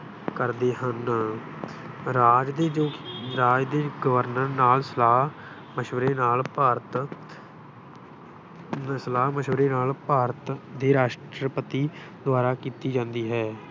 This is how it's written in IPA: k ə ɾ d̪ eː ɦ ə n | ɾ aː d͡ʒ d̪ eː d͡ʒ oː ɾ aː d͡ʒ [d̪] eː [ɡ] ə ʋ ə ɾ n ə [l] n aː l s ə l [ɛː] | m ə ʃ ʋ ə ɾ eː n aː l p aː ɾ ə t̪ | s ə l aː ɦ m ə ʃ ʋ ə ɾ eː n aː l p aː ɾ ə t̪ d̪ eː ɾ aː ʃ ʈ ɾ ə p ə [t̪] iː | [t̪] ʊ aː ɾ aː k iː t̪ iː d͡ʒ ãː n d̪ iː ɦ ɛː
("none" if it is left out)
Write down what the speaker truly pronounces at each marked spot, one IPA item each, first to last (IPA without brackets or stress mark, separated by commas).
d̪, ɡ, ɾ, aː, t̪, d̪